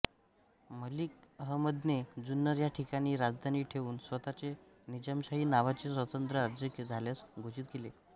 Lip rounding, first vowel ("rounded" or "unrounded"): unrounded